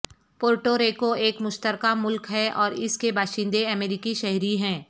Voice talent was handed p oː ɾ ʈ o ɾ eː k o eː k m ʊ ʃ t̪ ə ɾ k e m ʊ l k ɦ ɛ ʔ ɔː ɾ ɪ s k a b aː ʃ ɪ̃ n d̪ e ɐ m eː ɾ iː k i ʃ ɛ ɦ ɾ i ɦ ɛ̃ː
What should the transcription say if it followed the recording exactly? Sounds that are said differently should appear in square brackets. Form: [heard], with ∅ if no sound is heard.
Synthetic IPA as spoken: p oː ɾ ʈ o ɾ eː k o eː k m ʊ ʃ t̪ ə ɾ k [a] m ʊ l k ɦ ɛ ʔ ɔː ɾ ɪ s k [e] b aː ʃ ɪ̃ n d̪ e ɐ m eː ɾ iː k i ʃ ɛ ɦ ɾ i ɦ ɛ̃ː